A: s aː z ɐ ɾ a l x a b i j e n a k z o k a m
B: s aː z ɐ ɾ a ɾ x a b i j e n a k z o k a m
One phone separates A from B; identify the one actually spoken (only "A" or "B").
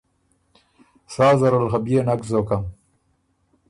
A